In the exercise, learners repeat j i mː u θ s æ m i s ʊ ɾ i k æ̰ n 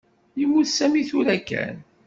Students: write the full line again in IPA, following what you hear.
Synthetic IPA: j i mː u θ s æ m i θ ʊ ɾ æ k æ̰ n